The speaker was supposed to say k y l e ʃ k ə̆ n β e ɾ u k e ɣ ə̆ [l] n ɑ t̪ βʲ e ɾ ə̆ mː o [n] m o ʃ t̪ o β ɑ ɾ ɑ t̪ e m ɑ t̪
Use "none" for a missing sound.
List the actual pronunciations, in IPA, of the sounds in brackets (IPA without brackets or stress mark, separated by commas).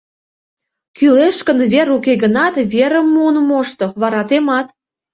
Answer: none, n